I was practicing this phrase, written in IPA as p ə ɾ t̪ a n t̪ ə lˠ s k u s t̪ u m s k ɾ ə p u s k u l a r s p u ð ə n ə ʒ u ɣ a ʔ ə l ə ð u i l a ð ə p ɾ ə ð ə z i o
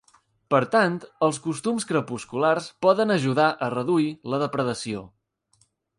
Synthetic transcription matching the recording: p ə ɾ t̪ a n t̪ ə lˠ s k u s t̪ u m s k ɾ ə p u s k u l a r s p ɔ ð ə n ə ʒ u ð a ʔ ə r ə ð u i l ə ð ə p ɾ ə ð ə s i o

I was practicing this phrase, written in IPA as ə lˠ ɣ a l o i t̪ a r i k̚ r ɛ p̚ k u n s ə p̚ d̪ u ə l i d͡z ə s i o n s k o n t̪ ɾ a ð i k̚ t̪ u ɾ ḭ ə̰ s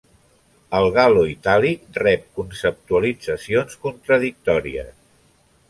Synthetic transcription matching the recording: ə lˠ ɣ a l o i t̪ a l i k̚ r ɛ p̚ k u n s ə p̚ t̪ u ə l i d͡z ə s i o n s k u n t̪ ɾ ə ð i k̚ t̪ ɔ ɾ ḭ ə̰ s

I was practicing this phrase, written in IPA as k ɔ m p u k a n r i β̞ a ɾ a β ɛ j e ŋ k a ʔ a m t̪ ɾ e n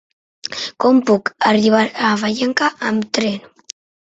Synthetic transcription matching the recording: k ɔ m p u k a r i β̞ a ɾ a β a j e ŋ k a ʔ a m t̪ ɾ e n

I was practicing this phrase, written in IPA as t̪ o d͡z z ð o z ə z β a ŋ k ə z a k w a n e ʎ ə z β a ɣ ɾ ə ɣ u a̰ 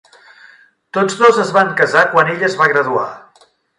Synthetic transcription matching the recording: t̪ o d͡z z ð o z ə z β a ŋ k ə z a k w a n e ʎ ə z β a ɣ ɾ ə ð u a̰

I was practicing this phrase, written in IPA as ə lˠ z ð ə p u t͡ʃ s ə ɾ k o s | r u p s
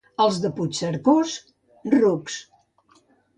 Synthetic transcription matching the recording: ə lˠ z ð ə p u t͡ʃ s ə ɾ k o s | r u k s

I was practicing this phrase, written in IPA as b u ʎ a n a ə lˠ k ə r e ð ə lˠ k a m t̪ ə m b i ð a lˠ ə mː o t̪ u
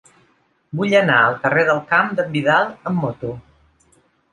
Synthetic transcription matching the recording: b u ʎ ə n a ə lˠ k ə r e ð ə lˠ k a m d̪ ə m b i ð a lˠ ə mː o t̪ u

